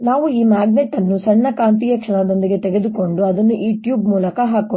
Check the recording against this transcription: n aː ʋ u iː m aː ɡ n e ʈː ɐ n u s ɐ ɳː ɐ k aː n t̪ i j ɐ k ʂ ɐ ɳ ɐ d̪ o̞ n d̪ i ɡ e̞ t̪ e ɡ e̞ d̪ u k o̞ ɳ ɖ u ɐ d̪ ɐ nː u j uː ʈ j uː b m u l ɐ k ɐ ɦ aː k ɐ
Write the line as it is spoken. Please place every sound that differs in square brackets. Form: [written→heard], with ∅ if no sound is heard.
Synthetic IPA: n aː ʋ u iː m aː ɡ n e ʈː ɐ [n→nː] u s ɐ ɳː ɐ k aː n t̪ i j ɐ k ʂ ɐ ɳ ɐ d̪ o̞ n d̪ i ɡ e̞ t̪ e ɡ e̞ d̪ u k o̞ ɳ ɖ u ɐ d̪ ɐ nː u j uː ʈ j uː b m [u→uː] l ɐ k ɐ ɦ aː k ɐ